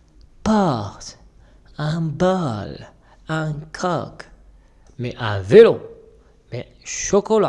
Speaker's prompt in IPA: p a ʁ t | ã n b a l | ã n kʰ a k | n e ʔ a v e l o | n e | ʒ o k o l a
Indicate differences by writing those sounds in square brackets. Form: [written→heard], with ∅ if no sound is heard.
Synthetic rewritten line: p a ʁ t | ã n b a l | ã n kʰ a k | [n→m] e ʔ a v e l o | [n→m] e | [ʒ→ʃ] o k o l a